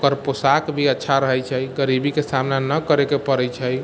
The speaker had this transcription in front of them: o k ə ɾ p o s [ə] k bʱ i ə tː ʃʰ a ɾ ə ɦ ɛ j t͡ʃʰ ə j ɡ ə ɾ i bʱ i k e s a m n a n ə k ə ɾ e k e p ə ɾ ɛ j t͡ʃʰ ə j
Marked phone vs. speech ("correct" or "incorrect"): incorrect